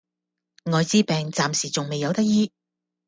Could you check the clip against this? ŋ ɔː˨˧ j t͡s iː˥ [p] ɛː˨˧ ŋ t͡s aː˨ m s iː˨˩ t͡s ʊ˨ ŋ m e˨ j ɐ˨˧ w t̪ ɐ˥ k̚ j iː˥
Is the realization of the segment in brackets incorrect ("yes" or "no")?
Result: no